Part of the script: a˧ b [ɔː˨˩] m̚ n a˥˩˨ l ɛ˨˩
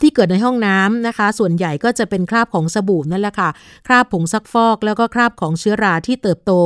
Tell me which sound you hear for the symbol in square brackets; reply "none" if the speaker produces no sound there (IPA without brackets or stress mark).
uː˨˩